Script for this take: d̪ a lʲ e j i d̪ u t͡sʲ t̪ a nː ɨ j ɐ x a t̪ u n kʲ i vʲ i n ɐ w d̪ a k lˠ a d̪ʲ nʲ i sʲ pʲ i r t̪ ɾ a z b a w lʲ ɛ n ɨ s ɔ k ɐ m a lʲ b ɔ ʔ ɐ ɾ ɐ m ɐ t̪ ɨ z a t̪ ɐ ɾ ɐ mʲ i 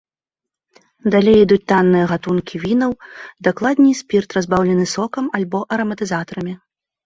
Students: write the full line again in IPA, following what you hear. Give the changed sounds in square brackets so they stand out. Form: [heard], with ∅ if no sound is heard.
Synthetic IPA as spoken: d̪ a lʲ e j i d̪ u t͡sʲ t̪ a nː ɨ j ɐ [ɣ] a t̪ u n kʲ i vʲ i n ɐ w d̪ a k lˠ a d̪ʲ nʲ i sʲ pʲ i r t̪ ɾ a z b a w lʲ ɛ n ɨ s ɔ k ɐ m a lʲ b ɔ ʔ ɐ ɾ ɐ m ɐ t̪ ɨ z a t̪ ɐ ɾ ɐ mʲ i